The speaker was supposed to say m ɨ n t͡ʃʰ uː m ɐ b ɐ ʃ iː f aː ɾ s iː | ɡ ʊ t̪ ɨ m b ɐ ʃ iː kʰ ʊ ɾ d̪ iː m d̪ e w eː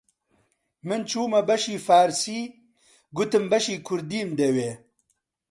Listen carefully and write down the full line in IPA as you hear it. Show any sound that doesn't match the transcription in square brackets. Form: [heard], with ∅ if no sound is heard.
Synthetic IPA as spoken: m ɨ n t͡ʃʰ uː m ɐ b ɐ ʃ iː f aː ɾ s iː | ɡ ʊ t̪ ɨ m b ɐ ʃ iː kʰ ʊ ɾ d̪ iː m d̪ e w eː